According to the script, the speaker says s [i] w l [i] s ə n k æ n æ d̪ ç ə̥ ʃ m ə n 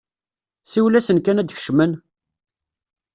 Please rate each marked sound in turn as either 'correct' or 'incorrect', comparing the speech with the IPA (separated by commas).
correct, incorrect